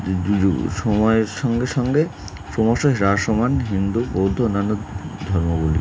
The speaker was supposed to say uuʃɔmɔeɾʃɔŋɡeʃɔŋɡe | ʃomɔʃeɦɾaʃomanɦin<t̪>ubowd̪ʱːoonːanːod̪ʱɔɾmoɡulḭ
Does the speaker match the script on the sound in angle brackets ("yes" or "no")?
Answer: no